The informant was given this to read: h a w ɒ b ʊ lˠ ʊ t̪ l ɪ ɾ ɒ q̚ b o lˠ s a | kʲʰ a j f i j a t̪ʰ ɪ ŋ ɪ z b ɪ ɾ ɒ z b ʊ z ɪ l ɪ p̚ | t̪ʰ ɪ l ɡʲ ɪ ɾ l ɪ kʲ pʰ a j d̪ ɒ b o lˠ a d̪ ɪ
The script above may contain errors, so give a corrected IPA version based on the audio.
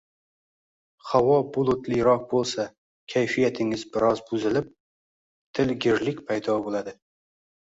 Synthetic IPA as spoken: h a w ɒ b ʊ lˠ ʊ t̪ l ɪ ɾ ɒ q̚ b o lˠ s a | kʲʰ a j f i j a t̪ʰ ɪ ŋ ɪ z b ɪ ɾ ɒ z b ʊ z ɪ l ɪ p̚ | t̪ʰ ɪ l ɡʲ ɪ ɾ l ɪ kʲ pʰ a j d̪ ɒ b o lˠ a d̪ ɪ